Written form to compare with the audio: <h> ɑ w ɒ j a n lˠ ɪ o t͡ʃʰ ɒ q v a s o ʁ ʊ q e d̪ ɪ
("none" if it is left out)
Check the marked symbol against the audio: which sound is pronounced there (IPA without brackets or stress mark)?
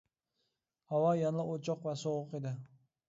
h